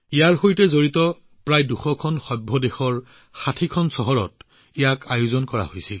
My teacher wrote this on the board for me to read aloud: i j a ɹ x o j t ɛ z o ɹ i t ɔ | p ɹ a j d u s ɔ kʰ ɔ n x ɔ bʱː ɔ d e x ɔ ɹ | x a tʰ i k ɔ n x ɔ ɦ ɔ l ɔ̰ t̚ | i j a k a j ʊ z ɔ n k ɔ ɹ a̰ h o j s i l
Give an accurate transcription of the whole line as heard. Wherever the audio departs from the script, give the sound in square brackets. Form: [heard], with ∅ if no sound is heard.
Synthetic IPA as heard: i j a ɹ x o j t ɛ z o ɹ i t ɔ | p ɹ a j d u [x] ɔ kʰ ɔ n x ɔ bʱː ɔ d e x ɔ ɹ | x a tʰ i [kʰ] ɔ n [s] ɔ ɦ ɔ [ɹ] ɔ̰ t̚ | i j a k a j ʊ z ɔ n k ɔ ɹ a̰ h o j s i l

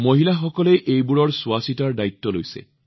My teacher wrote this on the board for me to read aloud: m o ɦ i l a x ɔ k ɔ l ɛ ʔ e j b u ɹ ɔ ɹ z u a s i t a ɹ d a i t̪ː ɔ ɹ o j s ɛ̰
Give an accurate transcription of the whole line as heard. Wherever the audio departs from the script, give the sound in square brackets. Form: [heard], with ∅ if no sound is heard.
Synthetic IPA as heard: m o ɦ i l a x ɔ k ɔ l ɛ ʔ e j b u ɹ ɔ ɹ [s] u a s i t a ɹ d a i t̪ː ɔ [l] o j s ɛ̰

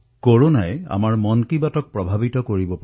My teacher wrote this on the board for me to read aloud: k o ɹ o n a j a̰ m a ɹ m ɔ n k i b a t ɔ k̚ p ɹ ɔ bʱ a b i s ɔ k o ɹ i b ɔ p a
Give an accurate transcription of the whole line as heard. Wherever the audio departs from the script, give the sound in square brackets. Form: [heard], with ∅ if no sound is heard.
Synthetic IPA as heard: k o ɹ o n a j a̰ m a ɹ m ɔ n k i b a t ɔ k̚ p ɹ ɔ bʱ a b i [t] ɔ k o ɹ i b ɔ p a

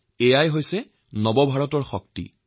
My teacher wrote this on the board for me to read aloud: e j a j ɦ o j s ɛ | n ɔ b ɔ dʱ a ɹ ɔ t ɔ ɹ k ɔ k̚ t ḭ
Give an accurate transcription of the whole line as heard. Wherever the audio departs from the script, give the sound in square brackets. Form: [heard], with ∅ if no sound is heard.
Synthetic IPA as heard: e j a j ɦ o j s ɛ | n ɔ b ɔ [bʱ] a ɹ ɔ t ɔ ɹ [x] ɔ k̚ t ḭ

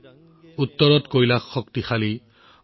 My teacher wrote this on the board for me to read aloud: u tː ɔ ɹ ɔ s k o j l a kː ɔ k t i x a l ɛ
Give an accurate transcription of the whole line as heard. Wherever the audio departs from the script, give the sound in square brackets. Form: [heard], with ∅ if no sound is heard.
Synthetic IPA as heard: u tː ɔ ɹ ɔ [t] k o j l a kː ɔ k t i x a l [i]

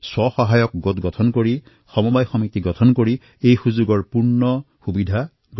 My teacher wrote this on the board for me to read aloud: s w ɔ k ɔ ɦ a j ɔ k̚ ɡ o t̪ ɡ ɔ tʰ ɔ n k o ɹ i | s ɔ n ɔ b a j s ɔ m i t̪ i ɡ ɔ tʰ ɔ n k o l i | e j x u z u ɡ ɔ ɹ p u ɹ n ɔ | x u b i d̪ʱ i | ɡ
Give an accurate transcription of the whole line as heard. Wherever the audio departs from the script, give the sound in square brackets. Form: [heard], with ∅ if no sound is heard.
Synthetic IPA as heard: s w ɔ [x] ɔ ɦ a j ɔ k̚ ɡ o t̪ ɡ ɔ tʰ ɔ n k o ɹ i | [x] ɔ [m] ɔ b a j [x] ɔ m i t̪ i ɡ ɔ tʰ ɔ n k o [ɹ] i | e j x u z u ɡ ɔ ɹ p u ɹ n ɔ | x u b i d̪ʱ [a] | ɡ

